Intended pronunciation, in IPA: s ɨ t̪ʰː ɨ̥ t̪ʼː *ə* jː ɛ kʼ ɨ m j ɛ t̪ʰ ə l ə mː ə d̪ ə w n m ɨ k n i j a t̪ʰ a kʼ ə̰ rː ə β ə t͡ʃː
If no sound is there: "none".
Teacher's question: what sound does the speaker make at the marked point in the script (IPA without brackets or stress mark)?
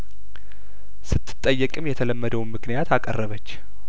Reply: ə